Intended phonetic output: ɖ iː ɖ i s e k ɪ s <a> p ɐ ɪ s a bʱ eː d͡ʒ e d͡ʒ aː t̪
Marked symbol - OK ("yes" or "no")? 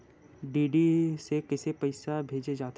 no